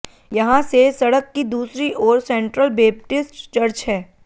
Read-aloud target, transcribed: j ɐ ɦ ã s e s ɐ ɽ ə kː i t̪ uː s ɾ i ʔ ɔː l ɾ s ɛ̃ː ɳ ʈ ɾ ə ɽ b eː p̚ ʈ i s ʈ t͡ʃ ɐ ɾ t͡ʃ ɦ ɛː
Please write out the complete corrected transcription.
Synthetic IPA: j ɐ ɦ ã s e s ɐ ɽ ə kː i d̪ uː s ɾ i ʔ ɔː ɾ s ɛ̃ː ɳ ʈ ɾ ə l b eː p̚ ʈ ɪ s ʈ t͡ʃ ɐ ɾ t͡ʃ ɦ ɛː